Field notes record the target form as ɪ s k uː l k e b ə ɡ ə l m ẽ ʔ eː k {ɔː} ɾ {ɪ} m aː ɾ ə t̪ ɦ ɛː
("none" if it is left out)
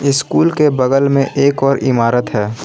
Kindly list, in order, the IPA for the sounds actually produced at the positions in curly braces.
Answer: ɔː, ɪ

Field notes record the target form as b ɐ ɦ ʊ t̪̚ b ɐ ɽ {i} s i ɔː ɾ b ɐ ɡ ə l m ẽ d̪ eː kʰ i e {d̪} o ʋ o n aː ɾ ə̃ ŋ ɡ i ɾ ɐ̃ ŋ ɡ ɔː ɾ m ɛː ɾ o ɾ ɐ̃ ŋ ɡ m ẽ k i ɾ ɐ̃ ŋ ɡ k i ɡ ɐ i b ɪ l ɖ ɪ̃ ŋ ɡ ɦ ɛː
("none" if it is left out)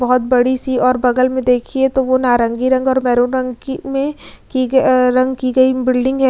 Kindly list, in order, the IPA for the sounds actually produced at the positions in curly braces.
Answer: i, t̪

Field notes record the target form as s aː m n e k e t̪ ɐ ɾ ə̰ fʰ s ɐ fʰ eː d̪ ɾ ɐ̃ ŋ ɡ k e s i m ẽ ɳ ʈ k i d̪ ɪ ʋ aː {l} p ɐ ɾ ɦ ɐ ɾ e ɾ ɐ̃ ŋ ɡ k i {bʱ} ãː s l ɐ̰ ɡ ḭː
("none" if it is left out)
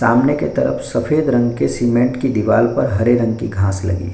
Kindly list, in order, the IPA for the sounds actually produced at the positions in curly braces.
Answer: l, ɡʱ

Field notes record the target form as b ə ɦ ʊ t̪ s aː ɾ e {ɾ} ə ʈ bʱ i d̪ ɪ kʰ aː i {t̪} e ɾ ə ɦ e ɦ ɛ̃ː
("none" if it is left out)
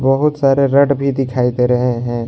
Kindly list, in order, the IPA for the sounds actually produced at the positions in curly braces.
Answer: ɾ, t̪

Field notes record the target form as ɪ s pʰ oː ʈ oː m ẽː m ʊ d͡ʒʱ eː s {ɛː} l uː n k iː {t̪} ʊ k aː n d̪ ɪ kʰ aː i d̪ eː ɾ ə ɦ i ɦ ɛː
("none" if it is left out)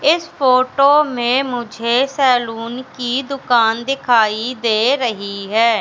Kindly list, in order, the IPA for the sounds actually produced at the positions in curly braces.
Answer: ɛː, d̪

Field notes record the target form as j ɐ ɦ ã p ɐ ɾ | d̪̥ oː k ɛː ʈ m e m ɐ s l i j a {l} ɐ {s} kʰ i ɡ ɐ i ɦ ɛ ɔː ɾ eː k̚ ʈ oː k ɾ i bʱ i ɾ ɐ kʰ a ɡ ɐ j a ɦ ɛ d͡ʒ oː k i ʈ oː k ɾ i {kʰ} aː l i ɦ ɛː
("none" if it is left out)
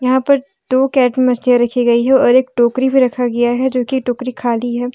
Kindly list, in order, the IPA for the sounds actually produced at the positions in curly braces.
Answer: ɾ, none, kʰ

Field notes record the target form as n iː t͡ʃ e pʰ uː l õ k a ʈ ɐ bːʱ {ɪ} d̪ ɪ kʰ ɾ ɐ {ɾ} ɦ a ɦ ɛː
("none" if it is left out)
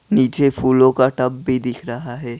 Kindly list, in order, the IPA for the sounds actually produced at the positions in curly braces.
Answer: i, none

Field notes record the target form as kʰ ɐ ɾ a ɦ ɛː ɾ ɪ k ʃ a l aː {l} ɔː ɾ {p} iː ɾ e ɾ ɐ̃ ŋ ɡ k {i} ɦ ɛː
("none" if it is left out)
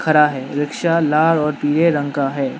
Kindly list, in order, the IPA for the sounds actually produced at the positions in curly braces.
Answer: ɾ, p, a

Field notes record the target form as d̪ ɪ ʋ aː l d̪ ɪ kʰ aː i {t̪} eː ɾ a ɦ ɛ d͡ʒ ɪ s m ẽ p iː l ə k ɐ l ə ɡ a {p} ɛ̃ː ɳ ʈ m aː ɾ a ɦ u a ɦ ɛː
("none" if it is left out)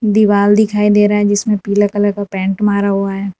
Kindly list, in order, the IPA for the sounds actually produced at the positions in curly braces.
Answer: d̪, p

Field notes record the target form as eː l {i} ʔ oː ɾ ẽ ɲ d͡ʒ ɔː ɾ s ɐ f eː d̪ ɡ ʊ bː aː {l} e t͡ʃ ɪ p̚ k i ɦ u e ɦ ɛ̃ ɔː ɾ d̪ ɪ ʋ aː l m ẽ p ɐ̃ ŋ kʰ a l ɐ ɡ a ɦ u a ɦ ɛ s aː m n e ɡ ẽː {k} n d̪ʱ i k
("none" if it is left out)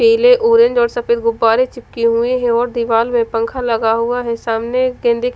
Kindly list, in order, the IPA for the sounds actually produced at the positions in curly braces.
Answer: e, ɾ, none

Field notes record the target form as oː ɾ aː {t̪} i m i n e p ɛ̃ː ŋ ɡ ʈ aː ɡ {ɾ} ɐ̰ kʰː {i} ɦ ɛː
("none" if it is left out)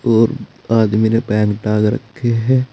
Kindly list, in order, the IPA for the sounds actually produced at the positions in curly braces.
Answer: d̪, ɾ, e

